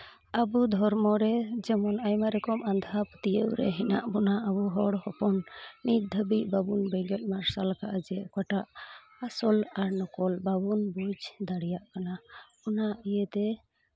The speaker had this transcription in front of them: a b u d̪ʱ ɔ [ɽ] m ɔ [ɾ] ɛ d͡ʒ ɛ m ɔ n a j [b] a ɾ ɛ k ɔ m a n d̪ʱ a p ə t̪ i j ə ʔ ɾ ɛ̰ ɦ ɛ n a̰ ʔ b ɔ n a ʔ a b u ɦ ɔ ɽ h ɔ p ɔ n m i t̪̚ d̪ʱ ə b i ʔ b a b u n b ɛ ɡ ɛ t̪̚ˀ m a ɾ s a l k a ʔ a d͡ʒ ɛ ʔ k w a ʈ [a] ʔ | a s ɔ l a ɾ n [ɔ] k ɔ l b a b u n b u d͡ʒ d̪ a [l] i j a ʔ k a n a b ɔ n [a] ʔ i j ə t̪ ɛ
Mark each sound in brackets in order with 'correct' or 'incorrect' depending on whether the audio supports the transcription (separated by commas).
incorrect, correct, incorrect, correct, correct, incorrect, correct